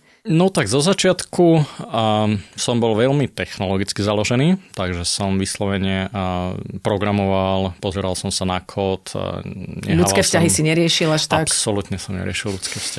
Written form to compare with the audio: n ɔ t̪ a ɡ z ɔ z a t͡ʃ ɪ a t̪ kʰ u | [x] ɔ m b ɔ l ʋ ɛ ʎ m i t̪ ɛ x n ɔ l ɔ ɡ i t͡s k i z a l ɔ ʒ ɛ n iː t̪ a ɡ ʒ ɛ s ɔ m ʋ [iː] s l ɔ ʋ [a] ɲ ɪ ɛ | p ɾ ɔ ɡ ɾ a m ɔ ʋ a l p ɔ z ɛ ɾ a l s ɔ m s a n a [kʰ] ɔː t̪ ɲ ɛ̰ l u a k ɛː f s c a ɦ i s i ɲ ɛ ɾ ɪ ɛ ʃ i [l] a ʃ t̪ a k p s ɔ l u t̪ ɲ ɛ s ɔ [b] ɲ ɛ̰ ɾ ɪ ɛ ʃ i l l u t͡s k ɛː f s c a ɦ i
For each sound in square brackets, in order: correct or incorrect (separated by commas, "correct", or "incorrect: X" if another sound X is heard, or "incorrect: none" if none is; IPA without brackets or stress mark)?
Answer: incorrect: s, incorrect: i, incorrect: ɛ, correct, correct, incorrect: m